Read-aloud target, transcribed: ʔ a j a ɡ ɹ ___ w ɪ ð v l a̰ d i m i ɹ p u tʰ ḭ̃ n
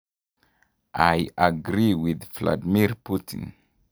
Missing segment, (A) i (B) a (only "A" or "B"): A